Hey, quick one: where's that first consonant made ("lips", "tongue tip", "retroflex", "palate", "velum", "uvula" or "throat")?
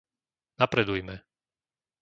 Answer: tongue tip